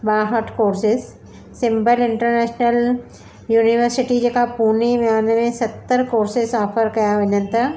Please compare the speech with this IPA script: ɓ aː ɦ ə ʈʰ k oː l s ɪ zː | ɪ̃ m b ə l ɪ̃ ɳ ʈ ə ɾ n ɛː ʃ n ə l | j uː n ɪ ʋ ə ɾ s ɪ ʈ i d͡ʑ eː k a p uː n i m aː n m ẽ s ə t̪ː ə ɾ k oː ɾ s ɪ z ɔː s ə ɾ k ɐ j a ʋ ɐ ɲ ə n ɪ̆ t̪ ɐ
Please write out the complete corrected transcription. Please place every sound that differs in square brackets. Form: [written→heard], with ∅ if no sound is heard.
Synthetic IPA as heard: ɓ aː ɦ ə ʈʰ k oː [l→ɾ] s ɪ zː | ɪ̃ m b ə l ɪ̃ ɳ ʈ ə ɾ n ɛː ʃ n ə l | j uː n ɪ ʋ ə ɾ s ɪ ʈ i d͡ʑ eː k a p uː n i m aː n m ẽ s [ə→ɐ] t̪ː ə ɾ k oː ɾ s ɪ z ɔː [s→f] ə ɾ k ɐ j a ʋ ɐ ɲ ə n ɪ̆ t̪ ɐ